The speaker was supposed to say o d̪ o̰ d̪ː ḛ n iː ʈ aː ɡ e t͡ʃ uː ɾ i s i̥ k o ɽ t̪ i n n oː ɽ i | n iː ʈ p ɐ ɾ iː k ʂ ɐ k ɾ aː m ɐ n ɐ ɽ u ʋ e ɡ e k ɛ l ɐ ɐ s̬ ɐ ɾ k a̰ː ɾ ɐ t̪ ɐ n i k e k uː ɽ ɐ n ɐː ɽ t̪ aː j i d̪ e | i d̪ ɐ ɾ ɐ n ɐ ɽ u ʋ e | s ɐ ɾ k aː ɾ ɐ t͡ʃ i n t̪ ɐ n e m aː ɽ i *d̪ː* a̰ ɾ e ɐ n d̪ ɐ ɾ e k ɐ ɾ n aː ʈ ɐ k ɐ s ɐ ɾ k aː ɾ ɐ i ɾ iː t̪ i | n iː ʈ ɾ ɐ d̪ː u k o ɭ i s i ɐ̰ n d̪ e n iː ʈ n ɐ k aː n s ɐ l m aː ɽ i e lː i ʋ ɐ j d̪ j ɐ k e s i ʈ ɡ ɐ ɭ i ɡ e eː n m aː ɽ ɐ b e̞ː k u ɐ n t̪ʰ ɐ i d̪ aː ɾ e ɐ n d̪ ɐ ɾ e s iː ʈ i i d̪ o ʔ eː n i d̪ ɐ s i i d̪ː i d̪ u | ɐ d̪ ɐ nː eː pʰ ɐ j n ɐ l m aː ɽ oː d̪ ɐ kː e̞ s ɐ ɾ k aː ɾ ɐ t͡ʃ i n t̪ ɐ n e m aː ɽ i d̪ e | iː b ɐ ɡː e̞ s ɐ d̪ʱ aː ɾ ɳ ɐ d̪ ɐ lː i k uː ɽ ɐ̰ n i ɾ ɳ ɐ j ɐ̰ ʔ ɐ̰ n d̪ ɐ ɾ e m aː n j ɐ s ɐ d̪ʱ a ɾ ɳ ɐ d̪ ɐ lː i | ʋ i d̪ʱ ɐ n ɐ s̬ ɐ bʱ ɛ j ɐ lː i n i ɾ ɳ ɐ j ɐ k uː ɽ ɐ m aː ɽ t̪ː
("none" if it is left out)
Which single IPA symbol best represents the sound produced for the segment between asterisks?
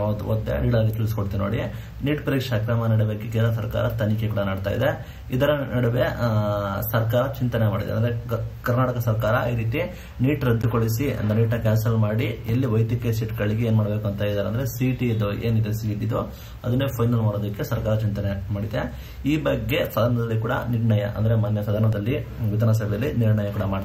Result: d̪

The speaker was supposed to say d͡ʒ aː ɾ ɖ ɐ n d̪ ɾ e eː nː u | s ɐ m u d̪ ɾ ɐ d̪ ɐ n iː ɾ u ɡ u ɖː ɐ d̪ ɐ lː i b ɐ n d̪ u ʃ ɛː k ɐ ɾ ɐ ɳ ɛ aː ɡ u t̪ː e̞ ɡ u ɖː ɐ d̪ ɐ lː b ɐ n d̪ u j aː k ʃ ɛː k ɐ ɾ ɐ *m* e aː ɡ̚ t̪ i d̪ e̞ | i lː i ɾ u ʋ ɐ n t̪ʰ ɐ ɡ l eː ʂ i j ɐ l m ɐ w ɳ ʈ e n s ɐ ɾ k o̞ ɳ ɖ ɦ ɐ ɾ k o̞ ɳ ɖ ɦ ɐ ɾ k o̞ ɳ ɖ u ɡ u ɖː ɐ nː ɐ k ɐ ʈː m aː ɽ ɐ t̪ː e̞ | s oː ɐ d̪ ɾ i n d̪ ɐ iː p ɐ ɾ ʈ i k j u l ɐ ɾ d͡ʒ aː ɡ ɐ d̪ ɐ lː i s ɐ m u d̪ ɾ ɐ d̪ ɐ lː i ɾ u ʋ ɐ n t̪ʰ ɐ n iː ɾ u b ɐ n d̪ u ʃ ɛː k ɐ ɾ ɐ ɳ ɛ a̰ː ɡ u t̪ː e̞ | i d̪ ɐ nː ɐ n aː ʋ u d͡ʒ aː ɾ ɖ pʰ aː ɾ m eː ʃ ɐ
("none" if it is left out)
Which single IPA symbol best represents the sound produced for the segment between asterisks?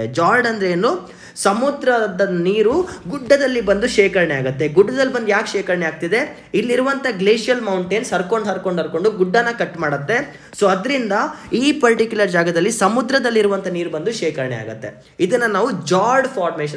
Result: ɳ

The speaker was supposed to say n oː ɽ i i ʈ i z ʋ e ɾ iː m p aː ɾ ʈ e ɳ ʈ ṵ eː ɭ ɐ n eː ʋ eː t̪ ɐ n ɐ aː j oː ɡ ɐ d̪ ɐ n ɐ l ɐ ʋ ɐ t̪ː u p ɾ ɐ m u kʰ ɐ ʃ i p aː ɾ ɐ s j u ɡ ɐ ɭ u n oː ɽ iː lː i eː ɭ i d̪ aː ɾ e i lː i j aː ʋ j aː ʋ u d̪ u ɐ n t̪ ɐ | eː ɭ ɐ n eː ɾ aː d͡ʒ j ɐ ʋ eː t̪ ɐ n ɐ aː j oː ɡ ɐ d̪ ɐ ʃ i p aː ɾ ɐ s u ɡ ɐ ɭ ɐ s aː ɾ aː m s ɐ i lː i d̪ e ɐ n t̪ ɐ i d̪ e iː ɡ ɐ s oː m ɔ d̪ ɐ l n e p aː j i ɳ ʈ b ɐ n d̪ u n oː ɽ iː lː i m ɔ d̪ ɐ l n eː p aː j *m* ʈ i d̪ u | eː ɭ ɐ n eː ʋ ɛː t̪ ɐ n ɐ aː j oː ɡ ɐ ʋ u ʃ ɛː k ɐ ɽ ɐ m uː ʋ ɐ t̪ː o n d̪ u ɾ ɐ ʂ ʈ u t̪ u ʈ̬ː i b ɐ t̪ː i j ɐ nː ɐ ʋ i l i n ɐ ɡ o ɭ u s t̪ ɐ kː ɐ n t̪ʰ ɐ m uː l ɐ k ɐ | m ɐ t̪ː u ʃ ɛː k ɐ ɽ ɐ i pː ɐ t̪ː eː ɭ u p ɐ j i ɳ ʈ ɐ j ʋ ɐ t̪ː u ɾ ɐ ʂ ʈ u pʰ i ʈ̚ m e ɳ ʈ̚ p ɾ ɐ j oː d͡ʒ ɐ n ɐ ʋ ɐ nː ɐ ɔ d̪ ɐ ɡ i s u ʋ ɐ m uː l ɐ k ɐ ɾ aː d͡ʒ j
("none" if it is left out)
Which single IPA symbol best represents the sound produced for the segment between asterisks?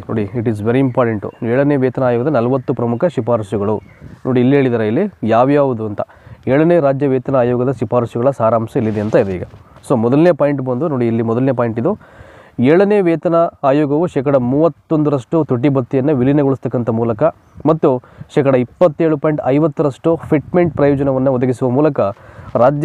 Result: ɳ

